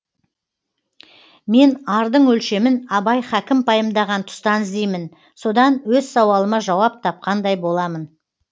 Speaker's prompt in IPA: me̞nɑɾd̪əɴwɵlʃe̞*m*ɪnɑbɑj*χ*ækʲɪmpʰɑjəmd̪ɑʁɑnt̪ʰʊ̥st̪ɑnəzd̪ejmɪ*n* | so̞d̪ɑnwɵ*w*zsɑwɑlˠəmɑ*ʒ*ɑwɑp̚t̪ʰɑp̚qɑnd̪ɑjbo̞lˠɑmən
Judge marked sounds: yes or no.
yes, yes, yes, no, yes

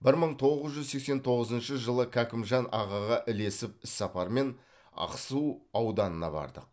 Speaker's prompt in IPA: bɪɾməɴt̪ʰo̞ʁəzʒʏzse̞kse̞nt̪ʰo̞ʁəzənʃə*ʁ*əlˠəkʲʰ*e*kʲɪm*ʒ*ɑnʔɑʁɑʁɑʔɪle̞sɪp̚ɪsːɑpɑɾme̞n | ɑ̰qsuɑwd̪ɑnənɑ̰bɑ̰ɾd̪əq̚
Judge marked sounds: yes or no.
no, no, yes

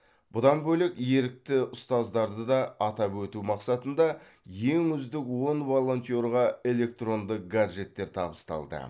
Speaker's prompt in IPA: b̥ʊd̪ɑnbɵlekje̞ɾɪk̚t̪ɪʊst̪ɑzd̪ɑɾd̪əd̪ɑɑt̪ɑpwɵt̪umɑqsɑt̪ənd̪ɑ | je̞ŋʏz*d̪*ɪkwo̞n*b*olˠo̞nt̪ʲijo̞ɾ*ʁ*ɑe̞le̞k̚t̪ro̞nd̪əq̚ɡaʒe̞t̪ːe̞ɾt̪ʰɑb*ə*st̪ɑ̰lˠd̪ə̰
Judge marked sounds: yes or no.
yes, no, yes, yes

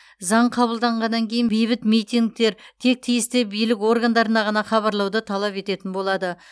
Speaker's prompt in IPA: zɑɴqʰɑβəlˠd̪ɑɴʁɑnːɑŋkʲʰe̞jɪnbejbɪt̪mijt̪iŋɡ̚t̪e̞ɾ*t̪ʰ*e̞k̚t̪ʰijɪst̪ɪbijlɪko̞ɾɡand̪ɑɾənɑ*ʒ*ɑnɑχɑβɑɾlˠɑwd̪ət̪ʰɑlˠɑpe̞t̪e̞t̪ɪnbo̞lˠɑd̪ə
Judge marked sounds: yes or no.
yes, no

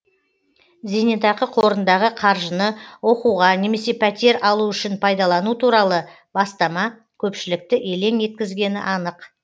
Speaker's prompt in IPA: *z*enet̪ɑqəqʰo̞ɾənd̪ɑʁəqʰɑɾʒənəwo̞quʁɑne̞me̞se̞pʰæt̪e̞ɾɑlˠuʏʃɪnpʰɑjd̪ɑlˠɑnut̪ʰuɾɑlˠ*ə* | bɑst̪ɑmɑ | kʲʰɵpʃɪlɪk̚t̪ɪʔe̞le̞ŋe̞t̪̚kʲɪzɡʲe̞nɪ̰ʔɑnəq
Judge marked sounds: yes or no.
yes, yes

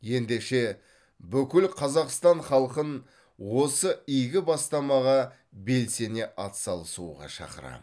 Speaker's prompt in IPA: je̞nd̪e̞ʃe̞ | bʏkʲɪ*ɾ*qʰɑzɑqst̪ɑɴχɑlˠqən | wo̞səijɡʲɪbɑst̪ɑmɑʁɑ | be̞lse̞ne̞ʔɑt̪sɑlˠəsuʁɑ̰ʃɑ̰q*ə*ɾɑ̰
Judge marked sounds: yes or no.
no, yes

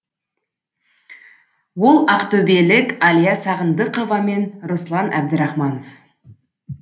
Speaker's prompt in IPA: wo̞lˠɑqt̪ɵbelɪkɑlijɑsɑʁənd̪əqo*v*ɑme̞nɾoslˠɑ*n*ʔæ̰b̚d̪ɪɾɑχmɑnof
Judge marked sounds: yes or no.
yes, yes

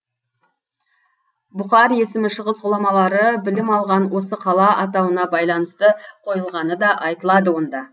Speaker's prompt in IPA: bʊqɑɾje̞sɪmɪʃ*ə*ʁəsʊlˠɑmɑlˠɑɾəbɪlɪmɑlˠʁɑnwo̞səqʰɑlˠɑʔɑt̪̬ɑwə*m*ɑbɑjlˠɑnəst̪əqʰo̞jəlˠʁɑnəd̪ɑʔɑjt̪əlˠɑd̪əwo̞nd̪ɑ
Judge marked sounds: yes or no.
yes, no

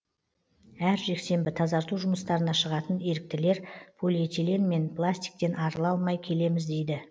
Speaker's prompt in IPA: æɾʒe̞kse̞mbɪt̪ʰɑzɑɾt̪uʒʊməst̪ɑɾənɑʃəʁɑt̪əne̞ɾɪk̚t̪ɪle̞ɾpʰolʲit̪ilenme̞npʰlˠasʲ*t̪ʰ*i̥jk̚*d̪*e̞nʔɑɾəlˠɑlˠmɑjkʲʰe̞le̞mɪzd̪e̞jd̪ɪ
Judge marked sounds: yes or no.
no, no

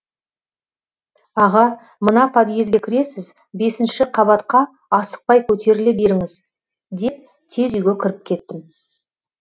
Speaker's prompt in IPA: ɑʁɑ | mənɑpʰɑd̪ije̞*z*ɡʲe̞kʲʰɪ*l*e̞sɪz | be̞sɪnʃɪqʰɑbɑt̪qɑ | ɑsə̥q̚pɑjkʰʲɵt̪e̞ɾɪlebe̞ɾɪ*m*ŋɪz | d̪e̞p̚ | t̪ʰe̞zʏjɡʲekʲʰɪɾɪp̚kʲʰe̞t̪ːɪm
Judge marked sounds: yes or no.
yes, no, no

